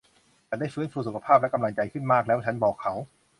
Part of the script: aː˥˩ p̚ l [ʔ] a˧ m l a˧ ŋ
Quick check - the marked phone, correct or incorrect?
incorrect